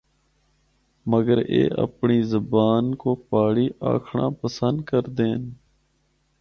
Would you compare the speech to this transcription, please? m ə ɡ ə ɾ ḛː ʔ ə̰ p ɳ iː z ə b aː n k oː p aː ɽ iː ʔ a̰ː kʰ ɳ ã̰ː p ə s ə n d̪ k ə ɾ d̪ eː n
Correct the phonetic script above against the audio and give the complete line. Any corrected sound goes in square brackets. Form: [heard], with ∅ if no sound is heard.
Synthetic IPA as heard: m ə ɡ ə ɾ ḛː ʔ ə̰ p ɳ iː z ə b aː n k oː p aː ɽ iː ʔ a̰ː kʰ ɳ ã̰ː p ə s ə n d̪ k ə ɾ d̪ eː n